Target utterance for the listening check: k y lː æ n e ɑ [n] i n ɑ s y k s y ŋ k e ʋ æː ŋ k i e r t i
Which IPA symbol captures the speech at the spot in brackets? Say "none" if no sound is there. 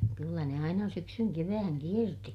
none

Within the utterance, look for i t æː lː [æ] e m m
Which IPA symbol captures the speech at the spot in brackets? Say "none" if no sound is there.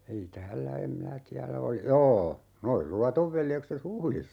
æ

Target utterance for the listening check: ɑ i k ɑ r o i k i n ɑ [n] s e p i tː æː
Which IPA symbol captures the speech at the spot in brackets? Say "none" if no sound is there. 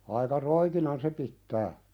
n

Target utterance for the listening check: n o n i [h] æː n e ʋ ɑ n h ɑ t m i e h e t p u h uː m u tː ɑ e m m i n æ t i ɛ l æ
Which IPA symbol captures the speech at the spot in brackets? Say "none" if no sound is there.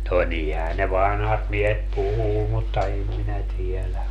h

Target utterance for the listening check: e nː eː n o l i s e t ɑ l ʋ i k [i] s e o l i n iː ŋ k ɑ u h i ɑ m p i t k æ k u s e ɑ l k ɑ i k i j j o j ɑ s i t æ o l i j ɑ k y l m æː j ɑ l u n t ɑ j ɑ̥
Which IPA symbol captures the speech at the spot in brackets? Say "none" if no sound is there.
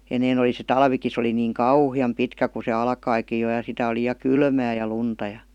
i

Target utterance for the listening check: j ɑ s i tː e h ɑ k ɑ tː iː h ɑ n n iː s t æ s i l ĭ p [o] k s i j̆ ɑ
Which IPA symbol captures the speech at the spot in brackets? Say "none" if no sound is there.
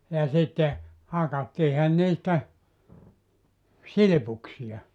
u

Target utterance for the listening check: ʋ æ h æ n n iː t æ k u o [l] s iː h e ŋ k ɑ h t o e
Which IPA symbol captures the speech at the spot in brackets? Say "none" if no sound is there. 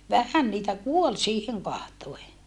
l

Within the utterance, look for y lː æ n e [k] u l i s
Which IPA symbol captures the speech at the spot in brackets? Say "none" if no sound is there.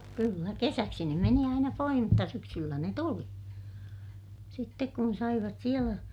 t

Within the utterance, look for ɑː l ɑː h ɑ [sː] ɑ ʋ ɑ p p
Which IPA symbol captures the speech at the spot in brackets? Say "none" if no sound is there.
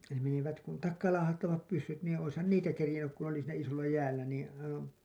tː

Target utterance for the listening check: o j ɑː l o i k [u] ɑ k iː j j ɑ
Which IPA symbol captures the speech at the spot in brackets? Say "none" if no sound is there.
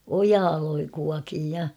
u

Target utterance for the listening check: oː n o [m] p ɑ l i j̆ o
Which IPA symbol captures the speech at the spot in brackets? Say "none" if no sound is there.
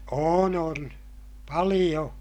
n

